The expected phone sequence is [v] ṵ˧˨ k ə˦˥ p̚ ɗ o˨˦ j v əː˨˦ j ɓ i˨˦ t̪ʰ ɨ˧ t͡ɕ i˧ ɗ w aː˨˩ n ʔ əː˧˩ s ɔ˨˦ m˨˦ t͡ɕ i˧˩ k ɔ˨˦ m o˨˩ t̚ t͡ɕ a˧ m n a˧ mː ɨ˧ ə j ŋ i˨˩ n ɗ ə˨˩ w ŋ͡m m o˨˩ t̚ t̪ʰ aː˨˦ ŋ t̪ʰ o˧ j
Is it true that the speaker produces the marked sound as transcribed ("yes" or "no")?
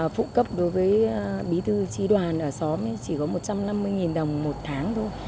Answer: no